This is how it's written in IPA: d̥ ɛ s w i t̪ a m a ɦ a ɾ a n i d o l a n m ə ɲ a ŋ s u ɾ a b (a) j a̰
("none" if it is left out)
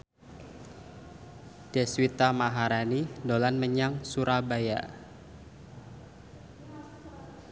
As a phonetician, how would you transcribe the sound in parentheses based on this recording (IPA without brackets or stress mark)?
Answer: a